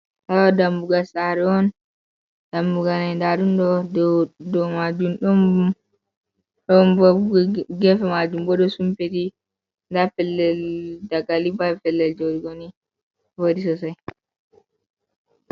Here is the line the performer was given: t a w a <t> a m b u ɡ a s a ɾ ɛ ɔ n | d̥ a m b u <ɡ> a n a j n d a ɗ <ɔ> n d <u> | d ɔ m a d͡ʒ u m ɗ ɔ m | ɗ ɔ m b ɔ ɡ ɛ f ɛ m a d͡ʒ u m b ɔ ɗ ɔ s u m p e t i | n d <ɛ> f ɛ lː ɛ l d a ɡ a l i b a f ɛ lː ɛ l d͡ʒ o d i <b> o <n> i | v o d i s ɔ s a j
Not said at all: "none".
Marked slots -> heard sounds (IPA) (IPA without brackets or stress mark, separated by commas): d, ɡ, u, ɔ, a, ɡ, n